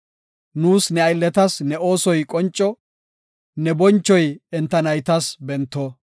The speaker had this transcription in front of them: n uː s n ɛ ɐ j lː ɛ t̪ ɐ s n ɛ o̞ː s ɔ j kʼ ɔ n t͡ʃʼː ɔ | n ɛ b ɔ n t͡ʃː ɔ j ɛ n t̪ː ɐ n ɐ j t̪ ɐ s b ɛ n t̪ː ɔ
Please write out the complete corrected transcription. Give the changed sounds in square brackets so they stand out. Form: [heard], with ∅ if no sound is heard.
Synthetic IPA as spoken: n uː s n ɛ ɐ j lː ɛ t̪ ɐ s n ɛ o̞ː s ɔ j kʼ ɔ n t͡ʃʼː ɔ | n ɛ b ɔ n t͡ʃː ɔ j ɛ n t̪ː ɐ n ɐ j t̪ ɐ s b ɛ n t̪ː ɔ